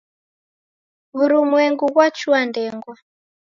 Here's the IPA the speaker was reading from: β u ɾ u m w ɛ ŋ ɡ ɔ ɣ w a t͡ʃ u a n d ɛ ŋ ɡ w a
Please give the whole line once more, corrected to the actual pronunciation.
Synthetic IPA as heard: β u ɾ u m w ɛ ŋ ɡ u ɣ w a t͡ʃ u a n d ɛ ŋ ɡ w a